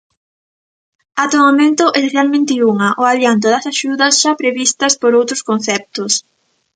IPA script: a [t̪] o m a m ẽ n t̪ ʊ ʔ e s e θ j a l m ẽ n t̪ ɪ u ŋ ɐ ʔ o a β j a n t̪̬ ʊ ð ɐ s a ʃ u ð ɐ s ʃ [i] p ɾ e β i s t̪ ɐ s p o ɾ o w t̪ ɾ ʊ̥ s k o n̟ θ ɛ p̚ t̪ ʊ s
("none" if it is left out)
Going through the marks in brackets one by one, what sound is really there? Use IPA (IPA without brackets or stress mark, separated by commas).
t̪, a